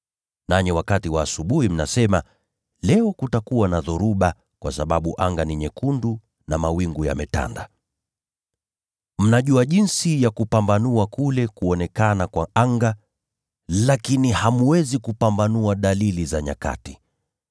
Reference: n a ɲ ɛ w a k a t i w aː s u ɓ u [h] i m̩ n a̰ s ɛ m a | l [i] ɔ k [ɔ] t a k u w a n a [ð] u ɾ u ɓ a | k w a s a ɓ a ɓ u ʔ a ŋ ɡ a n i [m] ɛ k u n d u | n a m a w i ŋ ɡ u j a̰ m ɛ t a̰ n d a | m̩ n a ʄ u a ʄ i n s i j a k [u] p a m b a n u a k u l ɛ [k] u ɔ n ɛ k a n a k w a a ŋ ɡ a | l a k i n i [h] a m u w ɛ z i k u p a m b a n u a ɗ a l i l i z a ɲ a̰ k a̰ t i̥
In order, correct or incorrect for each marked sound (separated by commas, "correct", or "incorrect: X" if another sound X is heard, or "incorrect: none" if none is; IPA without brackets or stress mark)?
correct, incorrect: ɛ, incorrect: u, correct, incorrect: ɲ, correct, correct, correct